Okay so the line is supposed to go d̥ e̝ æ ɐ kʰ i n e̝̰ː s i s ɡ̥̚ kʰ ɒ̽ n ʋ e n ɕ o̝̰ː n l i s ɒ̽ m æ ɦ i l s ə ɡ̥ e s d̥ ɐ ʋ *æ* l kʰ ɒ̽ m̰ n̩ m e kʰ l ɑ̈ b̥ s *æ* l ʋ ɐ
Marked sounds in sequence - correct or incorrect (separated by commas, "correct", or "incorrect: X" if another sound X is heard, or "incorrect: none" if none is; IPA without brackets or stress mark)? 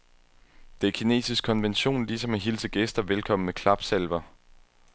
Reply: incorrect: e, incorrect: e